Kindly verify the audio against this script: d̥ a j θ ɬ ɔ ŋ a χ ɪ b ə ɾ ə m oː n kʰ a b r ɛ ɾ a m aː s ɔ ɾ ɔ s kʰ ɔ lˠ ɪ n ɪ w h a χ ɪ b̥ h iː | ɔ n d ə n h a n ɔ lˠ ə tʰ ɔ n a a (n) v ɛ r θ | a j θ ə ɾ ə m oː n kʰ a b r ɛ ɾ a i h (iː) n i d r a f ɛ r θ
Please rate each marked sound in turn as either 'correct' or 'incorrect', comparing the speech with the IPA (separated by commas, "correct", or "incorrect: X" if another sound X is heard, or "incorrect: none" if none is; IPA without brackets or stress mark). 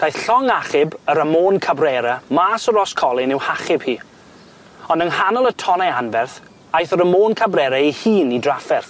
correct, correct